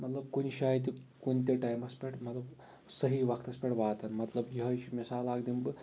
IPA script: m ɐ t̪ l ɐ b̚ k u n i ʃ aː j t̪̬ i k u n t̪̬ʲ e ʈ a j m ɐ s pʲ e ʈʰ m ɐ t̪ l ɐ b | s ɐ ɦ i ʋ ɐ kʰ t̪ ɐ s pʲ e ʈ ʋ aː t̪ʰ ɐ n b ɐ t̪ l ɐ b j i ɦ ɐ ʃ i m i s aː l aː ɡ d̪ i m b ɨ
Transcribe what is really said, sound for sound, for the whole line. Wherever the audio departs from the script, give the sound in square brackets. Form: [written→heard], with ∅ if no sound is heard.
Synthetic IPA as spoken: m ɐ t̪ l ɐ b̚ k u n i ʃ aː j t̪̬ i k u n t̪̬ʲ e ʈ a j m ɐ s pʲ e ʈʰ m ɐ t̪ l ɐ b | s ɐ ɦ i ʋ ɐ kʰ t̪ ɐ s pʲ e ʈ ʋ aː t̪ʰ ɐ n [b→m] ɐ t̪ l ɐ b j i ɦ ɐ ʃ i m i s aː l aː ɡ d̪ i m b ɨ